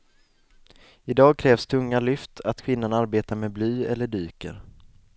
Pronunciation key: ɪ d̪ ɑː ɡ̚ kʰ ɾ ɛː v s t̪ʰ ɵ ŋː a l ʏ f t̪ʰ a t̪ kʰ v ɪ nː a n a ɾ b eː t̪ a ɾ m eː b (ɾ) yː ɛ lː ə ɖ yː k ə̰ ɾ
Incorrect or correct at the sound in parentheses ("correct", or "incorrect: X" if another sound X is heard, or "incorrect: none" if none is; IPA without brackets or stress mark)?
incorrect: l